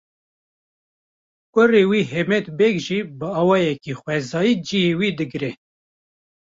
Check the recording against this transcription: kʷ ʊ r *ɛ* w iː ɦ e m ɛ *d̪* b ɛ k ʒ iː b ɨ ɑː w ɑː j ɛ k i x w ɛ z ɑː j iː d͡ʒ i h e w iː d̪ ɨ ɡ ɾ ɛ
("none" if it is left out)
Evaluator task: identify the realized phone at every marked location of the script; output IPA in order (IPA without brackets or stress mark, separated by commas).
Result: e, t̪